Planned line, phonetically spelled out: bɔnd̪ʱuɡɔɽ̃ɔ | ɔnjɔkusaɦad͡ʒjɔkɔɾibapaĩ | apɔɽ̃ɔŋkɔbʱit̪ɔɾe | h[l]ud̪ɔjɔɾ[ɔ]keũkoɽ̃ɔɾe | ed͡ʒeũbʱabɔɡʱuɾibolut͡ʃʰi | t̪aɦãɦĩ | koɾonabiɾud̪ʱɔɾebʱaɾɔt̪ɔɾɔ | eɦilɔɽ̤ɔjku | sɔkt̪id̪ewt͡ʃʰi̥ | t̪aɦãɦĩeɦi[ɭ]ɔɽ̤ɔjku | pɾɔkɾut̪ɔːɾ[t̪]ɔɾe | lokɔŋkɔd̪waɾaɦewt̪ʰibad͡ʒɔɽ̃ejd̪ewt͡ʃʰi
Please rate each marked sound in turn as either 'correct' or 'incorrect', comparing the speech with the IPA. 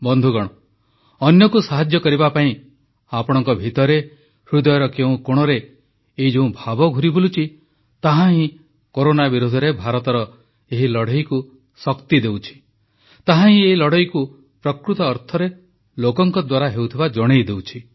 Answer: incorrect, correct, incorrect, incorrect

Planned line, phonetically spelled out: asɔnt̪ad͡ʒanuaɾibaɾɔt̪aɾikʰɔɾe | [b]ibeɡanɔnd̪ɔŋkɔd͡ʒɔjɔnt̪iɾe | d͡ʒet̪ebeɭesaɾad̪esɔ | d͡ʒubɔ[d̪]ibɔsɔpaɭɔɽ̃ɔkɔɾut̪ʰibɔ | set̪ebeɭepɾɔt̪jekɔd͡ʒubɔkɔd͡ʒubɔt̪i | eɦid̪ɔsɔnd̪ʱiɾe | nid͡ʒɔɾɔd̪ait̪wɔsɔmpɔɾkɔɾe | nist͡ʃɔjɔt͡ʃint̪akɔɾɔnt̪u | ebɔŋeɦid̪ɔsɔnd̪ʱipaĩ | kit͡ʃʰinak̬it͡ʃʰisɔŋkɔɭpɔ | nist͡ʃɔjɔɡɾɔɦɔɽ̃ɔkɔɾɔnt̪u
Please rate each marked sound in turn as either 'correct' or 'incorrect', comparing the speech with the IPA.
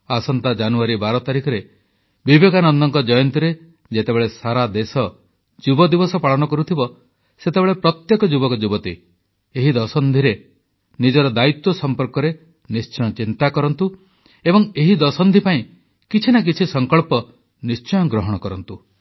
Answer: correct, correct

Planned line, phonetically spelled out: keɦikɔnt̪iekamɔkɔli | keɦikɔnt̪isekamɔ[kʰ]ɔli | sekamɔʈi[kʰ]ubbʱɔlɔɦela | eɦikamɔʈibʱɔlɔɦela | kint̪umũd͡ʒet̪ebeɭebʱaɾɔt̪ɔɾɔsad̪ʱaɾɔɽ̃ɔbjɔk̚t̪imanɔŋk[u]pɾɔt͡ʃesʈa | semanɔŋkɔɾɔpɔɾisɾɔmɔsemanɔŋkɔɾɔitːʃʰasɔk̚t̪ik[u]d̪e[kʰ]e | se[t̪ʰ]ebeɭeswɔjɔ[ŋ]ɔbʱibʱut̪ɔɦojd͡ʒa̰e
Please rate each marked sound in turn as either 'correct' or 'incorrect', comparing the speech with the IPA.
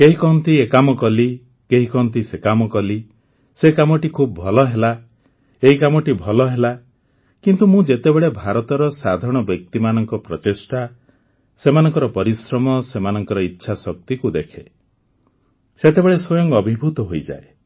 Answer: incorrect, correct, incorrect, correct, correct, incorrect, correct

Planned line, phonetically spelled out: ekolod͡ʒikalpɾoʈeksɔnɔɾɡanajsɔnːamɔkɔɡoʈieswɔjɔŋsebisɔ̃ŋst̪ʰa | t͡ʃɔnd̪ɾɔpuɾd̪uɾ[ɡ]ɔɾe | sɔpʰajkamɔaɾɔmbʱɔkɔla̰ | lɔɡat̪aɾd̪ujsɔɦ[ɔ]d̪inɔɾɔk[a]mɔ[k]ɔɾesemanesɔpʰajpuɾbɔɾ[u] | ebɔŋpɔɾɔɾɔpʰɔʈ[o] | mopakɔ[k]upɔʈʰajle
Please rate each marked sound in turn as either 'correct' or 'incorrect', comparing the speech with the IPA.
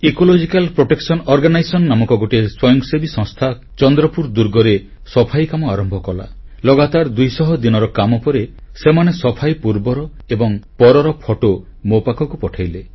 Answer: correct, correct, correct, incorrect, incorrect, correct, correct

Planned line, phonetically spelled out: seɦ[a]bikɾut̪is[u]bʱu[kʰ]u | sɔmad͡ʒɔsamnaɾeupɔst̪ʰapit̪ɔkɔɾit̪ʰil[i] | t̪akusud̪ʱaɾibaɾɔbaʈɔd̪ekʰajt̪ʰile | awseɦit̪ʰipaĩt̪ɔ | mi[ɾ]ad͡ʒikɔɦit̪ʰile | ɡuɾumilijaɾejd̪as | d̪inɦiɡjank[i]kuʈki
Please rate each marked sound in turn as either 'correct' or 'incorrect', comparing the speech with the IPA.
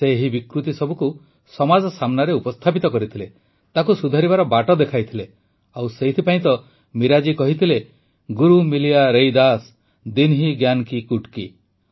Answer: incorrect, incorrect, incorrect, incorrect, correct, correct

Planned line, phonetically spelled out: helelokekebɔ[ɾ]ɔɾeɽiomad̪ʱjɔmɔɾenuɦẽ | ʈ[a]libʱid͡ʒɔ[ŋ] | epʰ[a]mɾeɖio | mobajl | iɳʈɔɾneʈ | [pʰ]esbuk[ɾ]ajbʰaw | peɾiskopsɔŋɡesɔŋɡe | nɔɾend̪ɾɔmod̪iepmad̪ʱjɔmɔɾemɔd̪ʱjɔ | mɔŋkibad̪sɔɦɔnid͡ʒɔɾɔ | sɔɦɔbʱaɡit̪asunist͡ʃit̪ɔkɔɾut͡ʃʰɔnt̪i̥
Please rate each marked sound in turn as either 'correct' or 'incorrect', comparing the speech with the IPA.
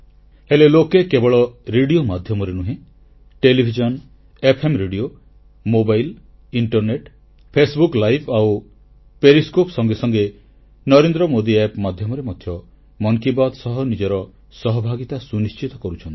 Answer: incorrect, incorrect, incorrect, incorrect, correct, incorrect

